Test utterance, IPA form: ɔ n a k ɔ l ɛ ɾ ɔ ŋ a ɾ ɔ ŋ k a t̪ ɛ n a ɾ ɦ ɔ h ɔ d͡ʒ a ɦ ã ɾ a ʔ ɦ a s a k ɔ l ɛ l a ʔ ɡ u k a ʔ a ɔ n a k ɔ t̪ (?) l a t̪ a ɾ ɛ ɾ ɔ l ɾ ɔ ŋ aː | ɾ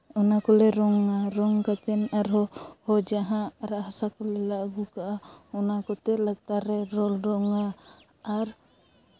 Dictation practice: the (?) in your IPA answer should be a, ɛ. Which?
ɛ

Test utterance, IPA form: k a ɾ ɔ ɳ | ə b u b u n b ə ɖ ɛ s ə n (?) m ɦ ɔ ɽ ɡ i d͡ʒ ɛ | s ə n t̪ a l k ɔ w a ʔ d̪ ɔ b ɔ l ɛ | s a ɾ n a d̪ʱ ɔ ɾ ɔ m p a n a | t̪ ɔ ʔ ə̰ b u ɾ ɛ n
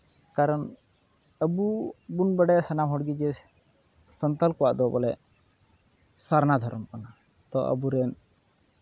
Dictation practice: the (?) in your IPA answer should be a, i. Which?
a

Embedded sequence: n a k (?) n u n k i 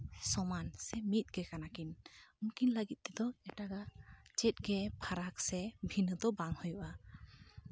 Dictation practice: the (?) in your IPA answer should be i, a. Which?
i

